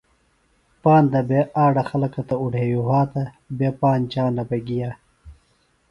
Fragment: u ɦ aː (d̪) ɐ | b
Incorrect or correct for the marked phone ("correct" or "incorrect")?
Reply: incorrect